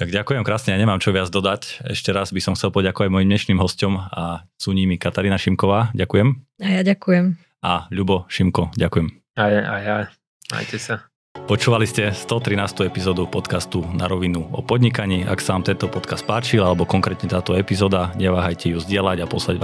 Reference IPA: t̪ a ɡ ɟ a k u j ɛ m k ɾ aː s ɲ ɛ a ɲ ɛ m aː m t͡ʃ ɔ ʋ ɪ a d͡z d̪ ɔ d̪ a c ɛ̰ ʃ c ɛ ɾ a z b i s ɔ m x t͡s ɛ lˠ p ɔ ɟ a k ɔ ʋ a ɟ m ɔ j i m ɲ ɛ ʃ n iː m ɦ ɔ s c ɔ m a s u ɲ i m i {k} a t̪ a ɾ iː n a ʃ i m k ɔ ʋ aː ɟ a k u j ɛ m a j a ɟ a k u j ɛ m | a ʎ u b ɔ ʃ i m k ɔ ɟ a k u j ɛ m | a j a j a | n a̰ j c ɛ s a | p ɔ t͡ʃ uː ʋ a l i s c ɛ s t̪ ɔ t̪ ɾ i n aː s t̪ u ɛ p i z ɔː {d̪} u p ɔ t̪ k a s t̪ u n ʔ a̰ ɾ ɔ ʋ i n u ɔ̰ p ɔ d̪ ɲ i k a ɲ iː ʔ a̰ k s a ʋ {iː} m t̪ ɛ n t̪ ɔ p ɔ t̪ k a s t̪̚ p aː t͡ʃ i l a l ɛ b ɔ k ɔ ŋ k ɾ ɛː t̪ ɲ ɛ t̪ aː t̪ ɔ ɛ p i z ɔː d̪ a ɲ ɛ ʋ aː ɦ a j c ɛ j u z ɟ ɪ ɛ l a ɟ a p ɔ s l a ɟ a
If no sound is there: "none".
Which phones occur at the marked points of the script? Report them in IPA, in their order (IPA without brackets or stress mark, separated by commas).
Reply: k, d̪, aː